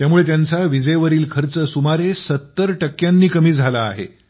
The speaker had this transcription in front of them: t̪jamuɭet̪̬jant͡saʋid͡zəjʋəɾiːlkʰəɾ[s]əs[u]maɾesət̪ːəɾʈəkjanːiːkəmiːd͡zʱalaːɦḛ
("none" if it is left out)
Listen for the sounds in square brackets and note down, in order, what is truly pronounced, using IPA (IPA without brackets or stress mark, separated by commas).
t͡s, u